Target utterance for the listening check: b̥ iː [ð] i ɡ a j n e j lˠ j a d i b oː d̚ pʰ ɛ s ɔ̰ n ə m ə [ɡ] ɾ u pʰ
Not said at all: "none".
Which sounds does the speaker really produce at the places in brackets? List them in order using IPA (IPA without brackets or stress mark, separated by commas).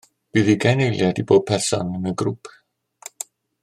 ð, ɡ